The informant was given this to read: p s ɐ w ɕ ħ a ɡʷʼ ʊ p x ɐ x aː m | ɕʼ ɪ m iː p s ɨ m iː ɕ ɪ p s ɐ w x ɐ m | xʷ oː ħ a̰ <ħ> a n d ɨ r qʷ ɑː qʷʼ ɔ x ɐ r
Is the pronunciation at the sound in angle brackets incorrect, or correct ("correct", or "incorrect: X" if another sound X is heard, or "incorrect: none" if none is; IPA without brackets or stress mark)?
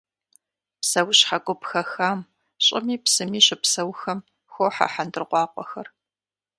correct